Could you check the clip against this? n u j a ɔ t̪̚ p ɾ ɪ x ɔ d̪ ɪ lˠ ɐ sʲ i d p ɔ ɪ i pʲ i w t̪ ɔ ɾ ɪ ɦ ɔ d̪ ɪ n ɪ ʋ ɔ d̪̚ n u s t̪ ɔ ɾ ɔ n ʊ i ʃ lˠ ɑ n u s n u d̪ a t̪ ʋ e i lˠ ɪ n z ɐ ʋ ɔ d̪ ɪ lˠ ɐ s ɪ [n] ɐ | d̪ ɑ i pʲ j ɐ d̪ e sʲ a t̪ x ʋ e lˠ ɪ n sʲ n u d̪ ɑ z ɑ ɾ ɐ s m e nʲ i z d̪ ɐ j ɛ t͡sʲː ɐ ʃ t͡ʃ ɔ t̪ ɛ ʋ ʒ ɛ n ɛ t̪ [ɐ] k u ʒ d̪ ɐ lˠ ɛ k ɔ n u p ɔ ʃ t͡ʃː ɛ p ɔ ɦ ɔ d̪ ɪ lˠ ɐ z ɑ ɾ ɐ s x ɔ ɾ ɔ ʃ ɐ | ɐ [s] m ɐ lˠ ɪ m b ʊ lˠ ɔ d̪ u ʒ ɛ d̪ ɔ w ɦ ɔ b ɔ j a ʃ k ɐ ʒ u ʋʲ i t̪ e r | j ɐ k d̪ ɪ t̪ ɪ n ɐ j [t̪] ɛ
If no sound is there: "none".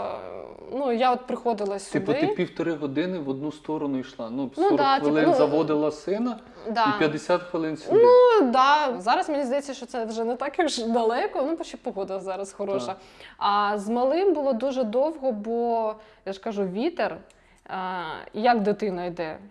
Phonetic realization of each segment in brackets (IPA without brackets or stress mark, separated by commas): n, ɑ, z, d̪